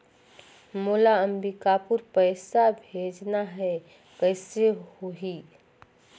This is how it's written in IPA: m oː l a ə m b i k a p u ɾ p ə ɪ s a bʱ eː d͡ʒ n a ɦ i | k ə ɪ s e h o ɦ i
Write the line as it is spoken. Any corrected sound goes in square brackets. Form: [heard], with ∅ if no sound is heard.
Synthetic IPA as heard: m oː l a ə m b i k a p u ɾ p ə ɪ s a bʱ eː d͡ʒ n a ɦ [ɛ] | k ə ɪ s e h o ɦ i